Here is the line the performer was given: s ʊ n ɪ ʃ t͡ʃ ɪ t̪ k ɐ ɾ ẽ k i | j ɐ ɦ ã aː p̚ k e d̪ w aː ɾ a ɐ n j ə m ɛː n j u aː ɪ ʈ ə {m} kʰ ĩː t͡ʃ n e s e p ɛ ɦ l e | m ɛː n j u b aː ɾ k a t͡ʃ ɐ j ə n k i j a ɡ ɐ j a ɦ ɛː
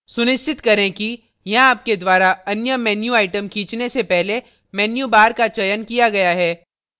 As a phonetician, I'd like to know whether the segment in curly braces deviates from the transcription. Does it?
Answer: no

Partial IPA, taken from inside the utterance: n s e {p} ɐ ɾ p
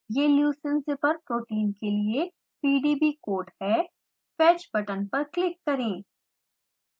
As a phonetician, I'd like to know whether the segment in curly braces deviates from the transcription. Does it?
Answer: no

